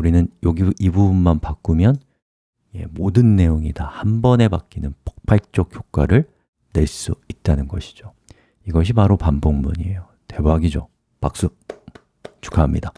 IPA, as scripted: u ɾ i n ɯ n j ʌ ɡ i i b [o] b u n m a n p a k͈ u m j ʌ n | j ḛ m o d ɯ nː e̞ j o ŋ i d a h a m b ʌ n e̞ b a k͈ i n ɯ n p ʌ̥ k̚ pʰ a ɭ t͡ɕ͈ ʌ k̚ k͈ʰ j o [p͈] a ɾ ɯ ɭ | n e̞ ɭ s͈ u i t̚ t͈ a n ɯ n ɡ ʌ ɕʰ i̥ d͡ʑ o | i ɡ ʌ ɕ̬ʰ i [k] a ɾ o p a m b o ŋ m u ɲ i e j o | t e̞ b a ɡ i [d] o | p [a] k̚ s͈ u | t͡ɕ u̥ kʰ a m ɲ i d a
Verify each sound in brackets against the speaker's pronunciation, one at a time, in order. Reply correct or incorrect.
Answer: incorrect: u, incorrect: k͈, incorrect: p, incorrect: d͡ʑ, correct

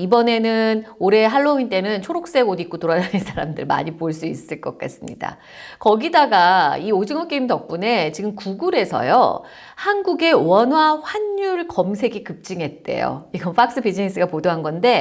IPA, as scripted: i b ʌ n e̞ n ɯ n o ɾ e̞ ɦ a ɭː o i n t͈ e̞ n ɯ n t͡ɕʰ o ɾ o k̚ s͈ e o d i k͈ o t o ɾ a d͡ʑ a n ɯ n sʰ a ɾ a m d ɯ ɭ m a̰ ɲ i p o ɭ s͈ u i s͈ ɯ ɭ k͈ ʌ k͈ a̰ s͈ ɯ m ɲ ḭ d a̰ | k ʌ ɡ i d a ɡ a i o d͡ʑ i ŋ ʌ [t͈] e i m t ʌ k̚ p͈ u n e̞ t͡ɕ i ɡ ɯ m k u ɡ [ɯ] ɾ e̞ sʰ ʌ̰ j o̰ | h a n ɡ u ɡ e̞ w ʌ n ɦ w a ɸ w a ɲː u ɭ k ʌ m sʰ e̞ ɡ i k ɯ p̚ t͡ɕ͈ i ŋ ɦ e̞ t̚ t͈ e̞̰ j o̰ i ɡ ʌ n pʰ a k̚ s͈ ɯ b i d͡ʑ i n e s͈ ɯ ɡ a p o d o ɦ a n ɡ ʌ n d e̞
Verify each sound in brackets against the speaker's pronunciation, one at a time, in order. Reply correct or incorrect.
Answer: incorrect: k͈, incorrect: u

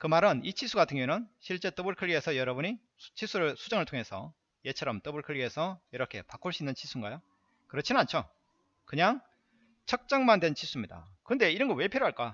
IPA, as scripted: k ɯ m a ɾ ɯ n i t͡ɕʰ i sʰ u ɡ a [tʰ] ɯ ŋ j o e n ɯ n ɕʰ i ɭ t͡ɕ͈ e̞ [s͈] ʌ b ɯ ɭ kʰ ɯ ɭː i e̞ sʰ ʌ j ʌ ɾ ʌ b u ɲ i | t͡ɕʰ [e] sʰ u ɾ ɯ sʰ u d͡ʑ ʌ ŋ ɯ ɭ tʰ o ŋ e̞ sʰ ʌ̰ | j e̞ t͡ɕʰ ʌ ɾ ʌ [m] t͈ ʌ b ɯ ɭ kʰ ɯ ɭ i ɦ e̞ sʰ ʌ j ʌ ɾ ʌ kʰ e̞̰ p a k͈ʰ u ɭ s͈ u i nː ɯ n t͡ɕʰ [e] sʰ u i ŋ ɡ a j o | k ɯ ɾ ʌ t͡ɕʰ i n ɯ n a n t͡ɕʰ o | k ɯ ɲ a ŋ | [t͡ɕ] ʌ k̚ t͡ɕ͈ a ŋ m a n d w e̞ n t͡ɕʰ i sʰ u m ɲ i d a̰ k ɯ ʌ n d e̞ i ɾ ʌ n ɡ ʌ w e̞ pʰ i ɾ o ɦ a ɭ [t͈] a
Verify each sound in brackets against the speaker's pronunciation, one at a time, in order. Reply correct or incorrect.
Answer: correct, incorrect: t͈, incorrect: i, correct, incorrect: i, incorrect: t͡ɕʰ, incorrect: k͈

